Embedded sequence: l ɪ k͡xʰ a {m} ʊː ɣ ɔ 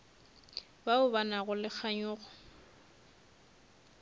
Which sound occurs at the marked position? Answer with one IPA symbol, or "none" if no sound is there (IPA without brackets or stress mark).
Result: ɲ